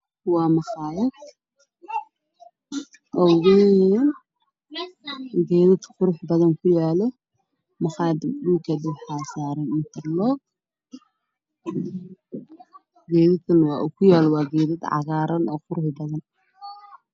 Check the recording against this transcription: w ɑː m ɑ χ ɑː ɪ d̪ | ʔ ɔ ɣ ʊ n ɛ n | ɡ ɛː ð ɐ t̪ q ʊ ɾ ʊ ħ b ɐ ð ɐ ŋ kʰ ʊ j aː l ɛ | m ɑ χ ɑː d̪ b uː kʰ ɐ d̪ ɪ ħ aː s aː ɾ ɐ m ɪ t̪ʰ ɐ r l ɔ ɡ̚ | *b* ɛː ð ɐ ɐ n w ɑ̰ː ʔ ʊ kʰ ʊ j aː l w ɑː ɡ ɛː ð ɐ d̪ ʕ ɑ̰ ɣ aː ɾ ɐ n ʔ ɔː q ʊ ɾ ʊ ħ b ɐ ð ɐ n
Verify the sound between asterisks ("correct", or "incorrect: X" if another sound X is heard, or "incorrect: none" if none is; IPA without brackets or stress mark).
incorrect: ɡ